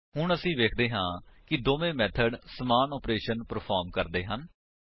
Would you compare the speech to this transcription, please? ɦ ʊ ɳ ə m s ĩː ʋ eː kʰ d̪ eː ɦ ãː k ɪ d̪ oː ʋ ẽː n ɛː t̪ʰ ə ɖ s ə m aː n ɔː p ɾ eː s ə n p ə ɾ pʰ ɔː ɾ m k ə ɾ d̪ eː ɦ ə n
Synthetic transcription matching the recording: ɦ ʊ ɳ ə s ĩː ʋ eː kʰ d̪ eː ɦ ãː k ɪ d̪ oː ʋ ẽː m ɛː t̪ʰ ə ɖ s ə m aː n ɔː p ɾ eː ʃ ə n p ə ɾ pʰ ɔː ɾ m k ə ɾ d̪ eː ɦ ə n